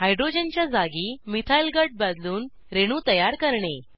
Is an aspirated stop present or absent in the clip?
present